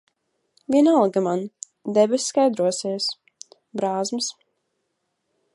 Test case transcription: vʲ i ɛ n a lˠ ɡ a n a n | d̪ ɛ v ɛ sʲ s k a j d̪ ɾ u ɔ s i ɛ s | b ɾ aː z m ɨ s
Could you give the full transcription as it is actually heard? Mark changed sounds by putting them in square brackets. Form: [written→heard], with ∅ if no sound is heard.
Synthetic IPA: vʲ i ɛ n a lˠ ɡ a [n→m] a n | d̪ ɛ [v→b] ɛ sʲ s k a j d̪ ɾ u ɔ s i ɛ s | b ɾ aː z m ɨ s

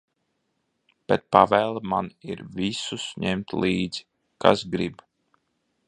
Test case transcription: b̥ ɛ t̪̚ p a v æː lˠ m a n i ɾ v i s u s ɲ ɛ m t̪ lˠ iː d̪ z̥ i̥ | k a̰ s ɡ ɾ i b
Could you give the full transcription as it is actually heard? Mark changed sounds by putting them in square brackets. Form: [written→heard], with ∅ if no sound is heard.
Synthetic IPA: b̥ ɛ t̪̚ p a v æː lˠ m a n i ɾ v i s u s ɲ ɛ m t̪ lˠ iː d̪ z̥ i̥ | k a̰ s ɡ ɾ i b

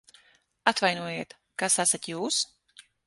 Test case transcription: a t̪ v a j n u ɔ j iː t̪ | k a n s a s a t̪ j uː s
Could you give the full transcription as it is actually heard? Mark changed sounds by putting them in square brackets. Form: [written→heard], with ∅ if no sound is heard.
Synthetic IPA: a t̪ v a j n u ɔ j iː t̪ | k a [n→∅] s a s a t̪ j uː s

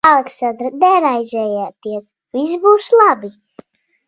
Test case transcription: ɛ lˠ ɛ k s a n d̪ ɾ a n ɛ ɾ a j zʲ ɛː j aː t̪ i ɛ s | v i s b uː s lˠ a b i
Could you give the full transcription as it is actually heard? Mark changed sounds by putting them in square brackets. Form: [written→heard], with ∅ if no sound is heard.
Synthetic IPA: [ɛ→a] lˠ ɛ k s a n d̪ ɾ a n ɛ ɾ a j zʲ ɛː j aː t̪ i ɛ s | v i s b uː s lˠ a b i

